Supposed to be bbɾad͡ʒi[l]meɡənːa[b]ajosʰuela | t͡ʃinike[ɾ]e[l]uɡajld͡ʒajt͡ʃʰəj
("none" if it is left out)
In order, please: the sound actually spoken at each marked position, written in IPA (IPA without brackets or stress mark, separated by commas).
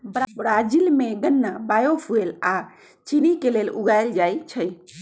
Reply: l, b, l, l